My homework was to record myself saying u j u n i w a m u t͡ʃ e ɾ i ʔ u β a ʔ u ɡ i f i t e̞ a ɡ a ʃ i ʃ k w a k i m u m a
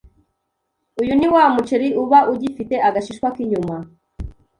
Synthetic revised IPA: u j u n i w a m u t͡ʃ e ɾ i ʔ u β a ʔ u ɟ i f i t e̞ a ɡ a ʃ i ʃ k w a k i ɲ u m a

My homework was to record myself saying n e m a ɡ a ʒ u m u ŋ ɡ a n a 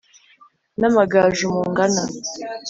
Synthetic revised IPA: n a m a ɡ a ʒ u m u ŋ ɡ a n a

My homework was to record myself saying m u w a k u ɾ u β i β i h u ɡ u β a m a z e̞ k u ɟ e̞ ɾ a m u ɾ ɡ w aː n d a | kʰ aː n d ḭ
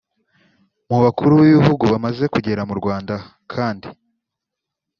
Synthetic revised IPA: m u β a k u ɾ u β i β i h u ɡ u β a m a z e̞ k u ɟ e̞ ɾ a m u ɾ ɡ w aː n d a | kʰ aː n d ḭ

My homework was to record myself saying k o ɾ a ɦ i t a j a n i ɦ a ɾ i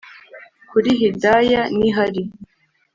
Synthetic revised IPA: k u ɾ i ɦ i d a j a n i ɦ a ɾ i

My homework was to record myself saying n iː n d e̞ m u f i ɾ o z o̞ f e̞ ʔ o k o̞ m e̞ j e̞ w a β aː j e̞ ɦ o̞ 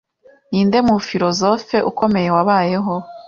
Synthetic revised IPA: n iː n d e̞ m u f i ɾ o z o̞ f e̞ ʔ u k o̞ m e̞ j e̞ w a β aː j e̞ ɦ o̞

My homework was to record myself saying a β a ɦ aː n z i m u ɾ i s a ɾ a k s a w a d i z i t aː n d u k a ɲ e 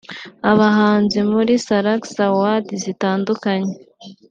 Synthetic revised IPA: a β a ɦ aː n z i m u ɾ i s a ɾ a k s a w a d i z i t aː n d u k a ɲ e

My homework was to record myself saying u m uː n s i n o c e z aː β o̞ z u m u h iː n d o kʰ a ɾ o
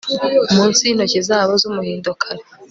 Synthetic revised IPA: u m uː n s i n o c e z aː β o̞ z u m u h iː n d o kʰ a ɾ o

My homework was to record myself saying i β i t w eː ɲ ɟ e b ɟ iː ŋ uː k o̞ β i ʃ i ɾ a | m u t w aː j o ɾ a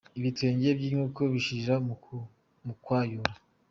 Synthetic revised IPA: i β i t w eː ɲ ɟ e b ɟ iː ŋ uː k o̞ β i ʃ i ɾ a | m u k w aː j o ɾ a

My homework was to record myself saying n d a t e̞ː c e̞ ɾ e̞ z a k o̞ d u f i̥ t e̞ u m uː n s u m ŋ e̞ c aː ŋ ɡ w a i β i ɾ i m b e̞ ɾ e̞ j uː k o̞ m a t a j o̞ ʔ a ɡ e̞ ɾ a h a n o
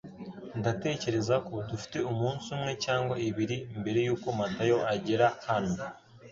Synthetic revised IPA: n d a t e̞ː c e̞ ɾ e̞ z a k o̞ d u f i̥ t e̞ u m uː n s u m ŋ e̞ c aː ŋ ɡ w a i β i ɾ i m b e̞ ɾ e̞ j uː k o̞ m a t a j o̞ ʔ a ɟ e̞ ɾ a h a n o

